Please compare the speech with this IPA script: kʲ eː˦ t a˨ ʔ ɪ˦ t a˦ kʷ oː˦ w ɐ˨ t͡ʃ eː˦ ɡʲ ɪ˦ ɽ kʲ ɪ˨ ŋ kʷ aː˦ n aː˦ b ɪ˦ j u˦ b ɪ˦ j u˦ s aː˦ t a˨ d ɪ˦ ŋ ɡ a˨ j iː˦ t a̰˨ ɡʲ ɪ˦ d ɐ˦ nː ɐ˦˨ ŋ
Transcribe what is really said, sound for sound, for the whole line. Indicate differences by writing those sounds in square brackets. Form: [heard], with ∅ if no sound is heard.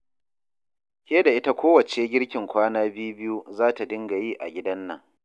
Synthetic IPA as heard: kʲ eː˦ [d] a˨ ʔ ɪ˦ t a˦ kʷ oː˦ w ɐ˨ t͡ʃ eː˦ ɡʲ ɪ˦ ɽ kʲ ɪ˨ ŋ kʷ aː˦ n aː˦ b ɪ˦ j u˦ b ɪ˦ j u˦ [z] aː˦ t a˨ d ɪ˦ ŋ ɡ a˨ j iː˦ [ʔ] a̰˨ ɡʲ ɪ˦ d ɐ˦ nː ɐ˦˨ ŋ